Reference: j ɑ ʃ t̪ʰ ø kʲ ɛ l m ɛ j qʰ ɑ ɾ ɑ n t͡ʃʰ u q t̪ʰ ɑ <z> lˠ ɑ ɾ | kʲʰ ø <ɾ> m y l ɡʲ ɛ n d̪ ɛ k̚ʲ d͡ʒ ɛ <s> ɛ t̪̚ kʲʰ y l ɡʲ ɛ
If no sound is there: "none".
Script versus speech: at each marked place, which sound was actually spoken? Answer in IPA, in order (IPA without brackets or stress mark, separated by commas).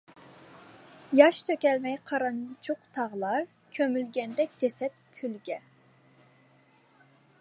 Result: ʁ, none, s